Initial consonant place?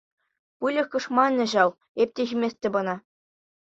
labial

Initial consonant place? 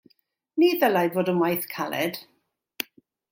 alveolar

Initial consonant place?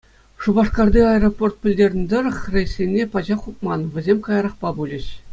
retroflex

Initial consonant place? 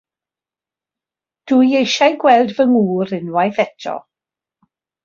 alveolar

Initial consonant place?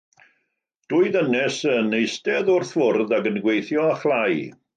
alveolar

